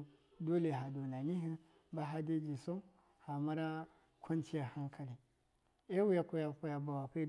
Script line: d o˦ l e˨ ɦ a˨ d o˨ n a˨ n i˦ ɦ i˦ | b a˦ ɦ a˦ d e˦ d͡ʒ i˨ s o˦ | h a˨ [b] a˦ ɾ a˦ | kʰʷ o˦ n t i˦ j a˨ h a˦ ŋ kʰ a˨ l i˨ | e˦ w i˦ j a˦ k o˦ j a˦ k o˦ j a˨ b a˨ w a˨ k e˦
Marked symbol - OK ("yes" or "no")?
no